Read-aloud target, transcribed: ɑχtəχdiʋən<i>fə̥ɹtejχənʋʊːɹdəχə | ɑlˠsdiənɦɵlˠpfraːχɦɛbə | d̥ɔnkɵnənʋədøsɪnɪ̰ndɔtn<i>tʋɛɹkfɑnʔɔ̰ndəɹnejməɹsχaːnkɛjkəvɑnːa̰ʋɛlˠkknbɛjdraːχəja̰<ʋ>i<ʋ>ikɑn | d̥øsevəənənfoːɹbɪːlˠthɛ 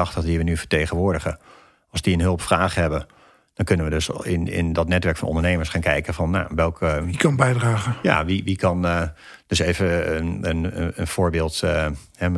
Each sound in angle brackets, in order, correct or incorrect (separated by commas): incorrect, incorrect, correct, correct